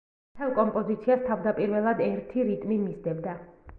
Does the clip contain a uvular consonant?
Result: no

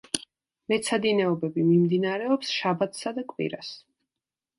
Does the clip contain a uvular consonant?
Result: no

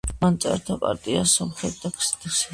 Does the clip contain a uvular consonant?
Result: yes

